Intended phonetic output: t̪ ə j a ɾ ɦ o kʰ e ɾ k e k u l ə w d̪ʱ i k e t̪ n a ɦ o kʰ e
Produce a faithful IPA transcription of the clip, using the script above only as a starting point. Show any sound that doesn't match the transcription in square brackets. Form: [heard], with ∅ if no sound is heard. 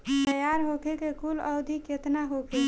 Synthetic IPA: t̪ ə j a ɾ ɦ o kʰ e [∅] k e k u l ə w d̪ʱ i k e t̪ n a ɦ o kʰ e